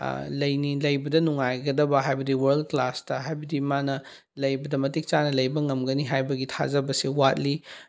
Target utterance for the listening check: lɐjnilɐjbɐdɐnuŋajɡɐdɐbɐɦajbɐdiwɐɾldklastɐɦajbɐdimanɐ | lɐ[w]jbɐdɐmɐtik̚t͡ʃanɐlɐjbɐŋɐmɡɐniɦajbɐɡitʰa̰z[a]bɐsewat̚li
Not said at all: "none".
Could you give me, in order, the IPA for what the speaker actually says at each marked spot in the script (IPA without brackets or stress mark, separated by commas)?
none, ɐ